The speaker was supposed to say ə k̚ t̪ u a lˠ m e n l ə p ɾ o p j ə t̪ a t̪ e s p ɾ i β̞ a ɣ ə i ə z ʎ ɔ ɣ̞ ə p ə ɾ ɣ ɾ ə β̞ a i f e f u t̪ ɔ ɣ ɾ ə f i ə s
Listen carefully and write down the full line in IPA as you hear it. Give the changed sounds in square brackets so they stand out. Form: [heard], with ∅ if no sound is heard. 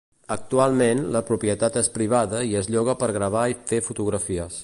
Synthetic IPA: ə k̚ t̪ u a lˠ m e n l ə p ɾ [u] p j ə t̪ a t̪ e s p ɾ i β̞ a [ð] ə i ə z ʎ ɔ ɣ̞ ə p ə ɾ ɣ ɾ ə β̞ a i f e f u t̪ [u] ɣ ɾ ə f i ə s